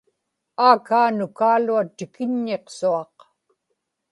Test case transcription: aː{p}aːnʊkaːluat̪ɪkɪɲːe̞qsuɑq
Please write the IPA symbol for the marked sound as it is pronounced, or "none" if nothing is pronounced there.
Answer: k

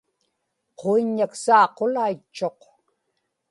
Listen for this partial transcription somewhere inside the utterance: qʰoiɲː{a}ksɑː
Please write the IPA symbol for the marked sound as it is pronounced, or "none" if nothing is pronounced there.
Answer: a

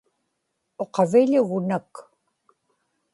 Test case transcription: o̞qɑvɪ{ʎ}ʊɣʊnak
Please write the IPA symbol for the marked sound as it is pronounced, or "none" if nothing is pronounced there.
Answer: ʎ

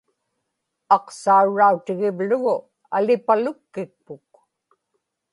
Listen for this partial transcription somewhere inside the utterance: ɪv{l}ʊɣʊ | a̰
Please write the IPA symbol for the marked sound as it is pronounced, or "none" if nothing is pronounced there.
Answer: l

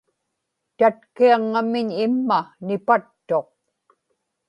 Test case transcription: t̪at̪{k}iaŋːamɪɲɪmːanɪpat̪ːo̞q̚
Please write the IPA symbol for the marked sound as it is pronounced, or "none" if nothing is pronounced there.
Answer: k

